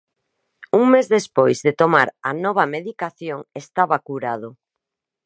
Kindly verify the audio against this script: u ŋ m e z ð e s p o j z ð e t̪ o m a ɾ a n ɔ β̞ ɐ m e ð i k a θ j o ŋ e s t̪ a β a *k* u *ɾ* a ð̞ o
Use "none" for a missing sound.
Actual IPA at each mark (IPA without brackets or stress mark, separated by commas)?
k, ɾ